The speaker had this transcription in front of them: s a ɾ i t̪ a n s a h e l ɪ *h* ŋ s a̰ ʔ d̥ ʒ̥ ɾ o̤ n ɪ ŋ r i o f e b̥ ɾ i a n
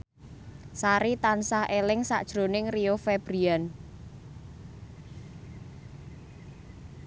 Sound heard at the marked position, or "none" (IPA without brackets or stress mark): none